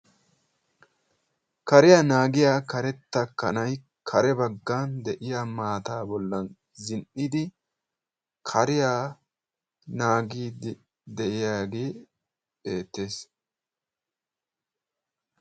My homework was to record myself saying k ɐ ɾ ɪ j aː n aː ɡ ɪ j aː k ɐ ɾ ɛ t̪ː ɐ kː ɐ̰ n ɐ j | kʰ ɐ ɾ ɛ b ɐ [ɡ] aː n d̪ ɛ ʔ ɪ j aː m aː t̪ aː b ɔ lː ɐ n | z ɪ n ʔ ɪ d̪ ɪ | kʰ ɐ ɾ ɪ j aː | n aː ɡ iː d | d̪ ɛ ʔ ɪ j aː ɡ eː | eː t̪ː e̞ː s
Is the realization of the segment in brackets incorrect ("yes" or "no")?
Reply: yes